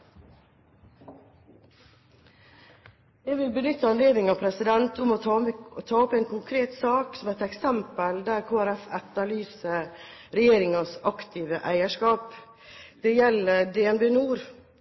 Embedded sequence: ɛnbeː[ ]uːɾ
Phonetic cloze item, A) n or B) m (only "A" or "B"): A